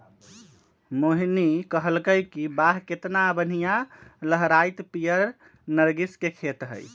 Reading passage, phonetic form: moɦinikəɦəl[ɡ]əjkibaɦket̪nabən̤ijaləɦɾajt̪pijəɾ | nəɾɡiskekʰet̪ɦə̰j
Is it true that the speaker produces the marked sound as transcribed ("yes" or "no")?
no